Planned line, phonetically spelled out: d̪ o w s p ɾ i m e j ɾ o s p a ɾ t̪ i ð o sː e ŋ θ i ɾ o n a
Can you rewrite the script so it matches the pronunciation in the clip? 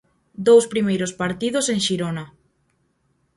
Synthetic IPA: d̪ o w s p ɾ i m e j ɾ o s p a ɾ t̪ i ð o s e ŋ ʃ i ɾ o n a